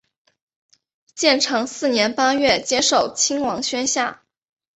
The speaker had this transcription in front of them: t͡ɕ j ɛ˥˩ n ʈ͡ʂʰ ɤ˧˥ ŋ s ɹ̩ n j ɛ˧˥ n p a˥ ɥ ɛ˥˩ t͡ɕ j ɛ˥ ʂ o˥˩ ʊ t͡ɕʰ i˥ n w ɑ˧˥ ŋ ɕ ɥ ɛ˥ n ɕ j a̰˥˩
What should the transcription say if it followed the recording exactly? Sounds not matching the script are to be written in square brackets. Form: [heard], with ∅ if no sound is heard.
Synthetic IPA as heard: t͡ɕ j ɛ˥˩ n ʈ͡ʂʰ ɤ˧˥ ŋ s ɹ̩ n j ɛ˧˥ n p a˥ ɥ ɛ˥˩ t͡ɕ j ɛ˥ ʂ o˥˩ ʊ t͡ɕʰ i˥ [ŋ] w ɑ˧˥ ŋ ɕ ɥ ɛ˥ n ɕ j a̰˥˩